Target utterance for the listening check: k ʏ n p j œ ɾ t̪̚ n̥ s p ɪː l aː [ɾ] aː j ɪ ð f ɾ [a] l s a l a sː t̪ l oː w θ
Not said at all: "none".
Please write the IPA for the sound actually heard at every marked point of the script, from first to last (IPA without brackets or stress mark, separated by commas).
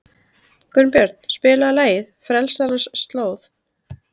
l, ɛ